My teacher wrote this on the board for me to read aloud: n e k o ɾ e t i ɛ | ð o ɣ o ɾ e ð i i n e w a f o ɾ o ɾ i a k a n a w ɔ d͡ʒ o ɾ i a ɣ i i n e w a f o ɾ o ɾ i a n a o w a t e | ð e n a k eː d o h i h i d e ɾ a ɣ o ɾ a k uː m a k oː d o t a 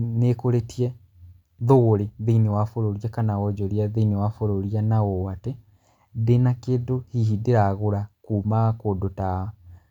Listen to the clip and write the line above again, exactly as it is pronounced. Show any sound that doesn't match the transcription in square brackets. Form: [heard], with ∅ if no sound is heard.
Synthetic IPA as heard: n e k o ɾ e t i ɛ | ð o ɣ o ɾ e ð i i n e w a f o ɾ o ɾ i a k a n a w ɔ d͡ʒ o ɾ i a [ð] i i n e w a f o ɾ o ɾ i a n a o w a t e | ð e n a k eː d o h i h i d e ɾ a ɣ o ɾ a k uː m a k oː d o t a